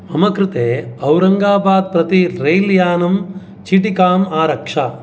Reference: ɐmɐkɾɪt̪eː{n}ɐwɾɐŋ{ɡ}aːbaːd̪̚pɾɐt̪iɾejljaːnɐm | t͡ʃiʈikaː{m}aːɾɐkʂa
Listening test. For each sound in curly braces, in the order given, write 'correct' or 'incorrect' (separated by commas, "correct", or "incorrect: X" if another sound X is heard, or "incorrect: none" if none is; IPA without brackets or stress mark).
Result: incorrect: none, correct, correct